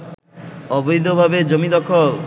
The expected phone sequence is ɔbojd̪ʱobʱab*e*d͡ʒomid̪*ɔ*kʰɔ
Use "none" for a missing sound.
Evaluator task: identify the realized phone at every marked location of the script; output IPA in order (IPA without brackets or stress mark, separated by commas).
e, ɔ